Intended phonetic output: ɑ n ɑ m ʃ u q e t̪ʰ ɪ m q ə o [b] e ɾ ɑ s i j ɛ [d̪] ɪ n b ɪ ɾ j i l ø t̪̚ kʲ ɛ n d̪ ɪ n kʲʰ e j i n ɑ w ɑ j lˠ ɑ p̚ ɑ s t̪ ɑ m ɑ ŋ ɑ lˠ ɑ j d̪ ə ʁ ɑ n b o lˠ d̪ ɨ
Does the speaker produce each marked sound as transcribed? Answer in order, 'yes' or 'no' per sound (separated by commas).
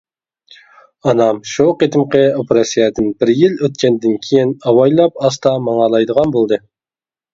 no, yes